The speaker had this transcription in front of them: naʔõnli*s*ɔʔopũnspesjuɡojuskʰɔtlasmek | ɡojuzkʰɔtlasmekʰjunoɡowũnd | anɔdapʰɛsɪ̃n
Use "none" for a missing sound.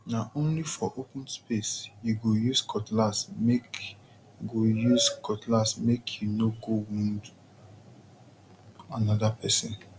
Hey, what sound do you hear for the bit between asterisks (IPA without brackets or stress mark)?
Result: f